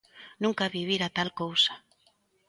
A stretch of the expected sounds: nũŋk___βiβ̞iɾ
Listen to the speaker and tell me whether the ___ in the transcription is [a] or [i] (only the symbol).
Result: a